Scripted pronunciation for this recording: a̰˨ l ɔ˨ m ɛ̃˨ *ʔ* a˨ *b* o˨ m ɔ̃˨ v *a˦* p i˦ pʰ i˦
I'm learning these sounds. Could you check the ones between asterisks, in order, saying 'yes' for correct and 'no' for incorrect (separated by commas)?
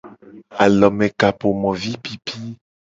no, no, no